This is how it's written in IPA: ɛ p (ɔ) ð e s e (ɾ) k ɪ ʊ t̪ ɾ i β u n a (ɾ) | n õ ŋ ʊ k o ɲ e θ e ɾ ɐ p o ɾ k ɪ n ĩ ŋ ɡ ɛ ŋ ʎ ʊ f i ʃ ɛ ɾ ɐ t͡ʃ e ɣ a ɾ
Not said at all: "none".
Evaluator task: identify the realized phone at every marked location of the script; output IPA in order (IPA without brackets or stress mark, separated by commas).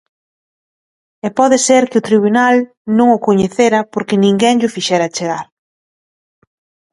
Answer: ɔ, ɾ, l